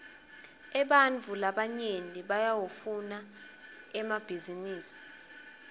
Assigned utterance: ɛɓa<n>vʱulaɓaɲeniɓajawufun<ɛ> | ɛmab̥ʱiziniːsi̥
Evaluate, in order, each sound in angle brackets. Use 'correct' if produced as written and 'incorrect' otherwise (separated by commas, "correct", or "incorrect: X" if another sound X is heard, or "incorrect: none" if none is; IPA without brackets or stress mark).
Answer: correct, incorrect: a